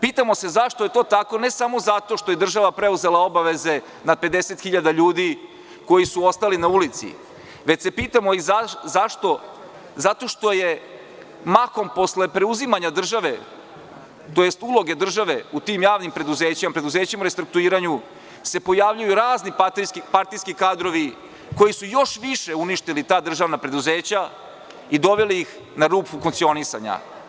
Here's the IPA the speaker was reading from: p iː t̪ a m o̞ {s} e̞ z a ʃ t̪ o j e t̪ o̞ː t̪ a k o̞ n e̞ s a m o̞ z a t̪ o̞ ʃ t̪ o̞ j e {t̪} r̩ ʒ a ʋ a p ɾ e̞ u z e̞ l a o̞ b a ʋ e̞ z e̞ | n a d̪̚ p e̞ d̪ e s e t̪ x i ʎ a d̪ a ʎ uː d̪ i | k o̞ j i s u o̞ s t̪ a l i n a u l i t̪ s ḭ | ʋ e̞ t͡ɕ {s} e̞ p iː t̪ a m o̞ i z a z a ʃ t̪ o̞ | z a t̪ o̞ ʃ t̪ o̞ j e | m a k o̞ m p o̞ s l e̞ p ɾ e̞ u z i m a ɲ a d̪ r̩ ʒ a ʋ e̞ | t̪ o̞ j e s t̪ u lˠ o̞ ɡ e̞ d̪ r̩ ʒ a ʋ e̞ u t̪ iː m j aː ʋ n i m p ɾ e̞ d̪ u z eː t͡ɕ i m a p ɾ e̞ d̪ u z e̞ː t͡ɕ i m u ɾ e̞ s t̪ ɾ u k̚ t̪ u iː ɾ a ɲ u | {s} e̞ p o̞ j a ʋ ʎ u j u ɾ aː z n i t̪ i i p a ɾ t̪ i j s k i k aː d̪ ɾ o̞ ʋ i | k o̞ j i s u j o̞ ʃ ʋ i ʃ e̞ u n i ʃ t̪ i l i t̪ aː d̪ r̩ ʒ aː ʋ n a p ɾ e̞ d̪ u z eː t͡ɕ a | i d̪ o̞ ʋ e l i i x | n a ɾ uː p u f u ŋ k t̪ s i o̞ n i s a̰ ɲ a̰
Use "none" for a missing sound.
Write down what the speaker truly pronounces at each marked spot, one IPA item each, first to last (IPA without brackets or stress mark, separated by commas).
s, d̪, s, s